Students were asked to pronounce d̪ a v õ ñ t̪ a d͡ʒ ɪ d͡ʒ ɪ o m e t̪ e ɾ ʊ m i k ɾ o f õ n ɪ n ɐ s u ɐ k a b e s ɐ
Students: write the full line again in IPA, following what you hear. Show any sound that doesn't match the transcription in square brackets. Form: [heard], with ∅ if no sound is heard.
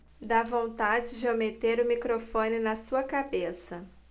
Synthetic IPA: d̪ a v õ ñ t̪ a d͡ʒ ɪ d͡ʒ ɪ o m e t̪ e ɾ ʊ m i k ɾ o f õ n ɪ n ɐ s u ɐ k a b e s ɐ